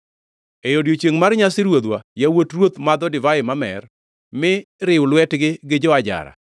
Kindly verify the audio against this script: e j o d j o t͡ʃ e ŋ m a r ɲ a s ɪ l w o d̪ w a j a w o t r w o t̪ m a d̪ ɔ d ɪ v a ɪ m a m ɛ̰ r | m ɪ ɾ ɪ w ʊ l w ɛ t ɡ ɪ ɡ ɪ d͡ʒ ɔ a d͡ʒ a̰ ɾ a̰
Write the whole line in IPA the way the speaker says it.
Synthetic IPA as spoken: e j o d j o t͡ʃ e ŋ m a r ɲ a s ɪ ɾ w o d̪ w a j a w o t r w o t̪ m a d̪ ɔ d ɪ v a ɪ m a m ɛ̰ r | m ɪ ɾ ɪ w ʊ l w ɛ t ɡ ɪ ɡ ɪ d͡ʒ ɔ a d͡ʒ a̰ ɾ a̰